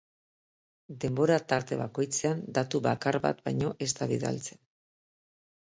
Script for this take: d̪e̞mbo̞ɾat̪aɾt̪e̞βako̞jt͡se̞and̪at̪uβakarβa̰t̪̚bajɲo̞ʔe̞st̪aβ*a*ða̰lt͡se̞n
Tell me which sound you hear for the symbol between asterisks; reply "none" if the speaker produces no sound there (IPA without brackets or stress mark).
i